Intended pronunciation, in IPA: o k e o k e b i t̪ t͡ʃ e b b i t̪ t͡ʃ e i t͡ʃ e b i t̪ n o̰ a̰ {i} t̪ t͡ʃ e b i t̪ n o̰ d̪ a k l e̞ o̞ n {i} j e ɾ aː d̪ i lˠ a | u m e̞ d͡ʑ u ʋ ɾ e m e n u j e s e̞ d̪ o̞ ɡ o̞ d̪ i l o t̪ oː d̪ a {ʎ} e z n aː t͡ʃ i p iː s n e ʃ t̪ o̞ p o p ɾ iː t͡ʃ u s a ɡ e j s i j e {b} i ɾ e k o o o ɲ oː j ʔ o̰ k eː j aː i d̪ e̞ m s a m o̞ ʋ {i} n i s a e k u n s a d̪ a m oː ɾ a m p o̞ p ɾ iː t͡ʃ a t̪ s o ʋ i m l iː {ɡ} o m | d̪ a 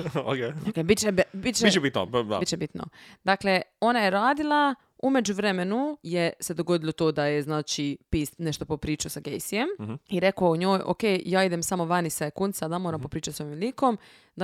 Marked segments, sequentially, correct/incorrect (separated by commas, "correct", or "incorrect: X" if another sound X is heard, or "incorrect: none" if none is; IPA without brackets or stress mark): correct, incorrect: a, incorrect: j, incorrect: m, incorrect: a, incorrect: k